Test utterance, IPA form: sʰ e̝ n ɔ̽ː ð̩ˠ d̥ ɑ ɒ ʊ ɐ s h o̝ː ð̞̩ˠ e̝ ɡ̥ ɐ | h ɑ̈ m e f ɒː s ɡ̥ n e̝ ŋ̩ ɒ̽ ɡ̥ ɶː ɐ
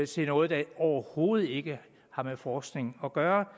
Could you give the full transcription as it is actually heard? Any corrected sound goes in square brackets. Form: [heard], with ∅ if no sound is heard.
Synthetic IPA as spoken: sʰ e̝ n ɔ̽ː ð̩ˠ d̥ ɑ ɒ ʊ ɐ [∅] h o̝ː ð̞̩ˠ e̝ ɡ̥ [ə] | h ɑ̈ m e f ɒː s ɡ̥ n e̝ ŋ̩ ɒ̽ ɡ̥ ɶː ɐ